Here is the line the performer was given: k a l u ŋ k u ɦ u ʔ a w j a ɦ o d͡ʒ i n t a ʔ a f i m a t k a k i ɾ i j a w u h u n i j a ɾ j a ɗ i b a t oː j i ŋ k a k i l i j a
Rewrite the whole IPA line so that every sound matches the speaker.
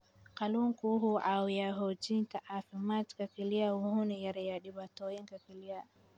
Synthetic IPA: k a l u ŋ k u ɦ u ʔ a w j a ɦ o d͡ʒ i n t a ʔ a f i m a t k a k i l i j a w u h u n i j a ɾ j a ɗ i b a t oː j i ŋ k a k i l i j a